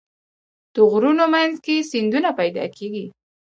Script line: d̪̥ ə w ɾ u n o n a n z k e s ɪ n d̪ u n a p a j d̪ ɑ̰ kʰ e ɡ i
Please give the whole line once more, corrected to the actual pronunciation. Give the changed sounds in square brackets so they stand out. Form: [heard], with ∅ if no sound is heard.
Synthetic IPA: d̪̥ ə [ɣ] ɾ u n o [m] a n z k e s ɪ n d̪ u n a p a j d̪ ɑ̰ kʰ e ɡ i